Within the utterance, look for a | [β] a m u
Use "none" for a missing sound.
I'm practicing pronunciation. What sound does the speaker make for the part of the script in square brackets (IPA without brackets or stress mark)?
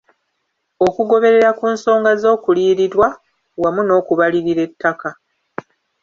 w